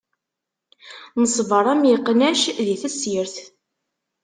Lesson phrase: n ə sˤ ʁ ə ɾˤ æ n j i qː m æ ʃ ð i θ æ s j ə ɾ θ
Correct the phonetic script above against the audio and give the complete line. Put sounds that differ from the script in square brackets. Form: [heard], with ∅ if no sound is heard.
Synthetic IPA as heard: n ə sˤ [v] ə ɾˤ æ [m] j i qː [n] æ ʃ ð i θ æ s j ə ɾ θ